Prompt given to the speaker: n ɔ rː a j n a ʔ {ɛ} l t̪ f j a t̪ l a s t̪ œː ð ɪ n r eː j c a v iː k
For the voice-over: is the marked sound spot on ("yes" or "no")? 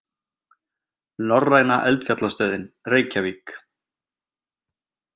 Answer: yes